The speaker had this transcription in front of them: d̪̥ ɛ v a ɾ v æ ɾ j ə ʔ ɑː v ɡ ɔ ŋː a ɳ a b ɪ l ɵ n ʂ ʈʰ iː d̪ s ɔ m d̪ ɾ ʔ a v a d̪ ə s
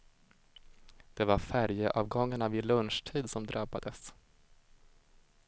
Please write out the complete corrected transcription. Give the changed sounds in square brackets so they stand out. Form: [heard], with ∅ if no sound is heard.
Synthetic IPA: d̪̥ ɛ v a ɾ [f] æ ɾ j ə ʔ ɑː v ɡ ɔ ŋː a ɳ a [v] ɪ l ɵ n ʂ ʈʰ iː d̪ s ɔ m d̪ ɾ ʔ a [b] a d̪ ə s